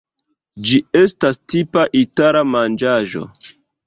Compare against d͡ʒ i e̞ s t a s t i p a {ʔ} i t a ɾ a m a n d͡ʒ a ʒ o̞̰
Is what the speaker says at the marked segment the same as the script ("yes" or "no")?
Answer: yes